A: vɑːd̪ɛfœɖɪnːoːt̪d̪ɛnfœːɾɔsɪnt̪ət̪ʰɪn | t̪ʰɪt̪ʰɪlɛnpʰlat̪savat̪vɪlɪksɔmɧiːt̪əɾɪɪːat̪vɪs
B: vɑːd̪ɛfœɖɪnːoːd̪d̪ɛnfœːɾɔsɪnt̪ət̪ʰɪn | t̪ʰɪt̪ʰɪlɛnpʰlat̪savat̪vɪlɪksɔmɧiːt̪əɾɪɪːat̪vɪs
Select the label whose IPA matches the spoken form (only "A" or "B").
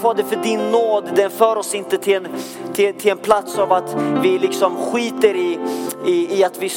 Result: B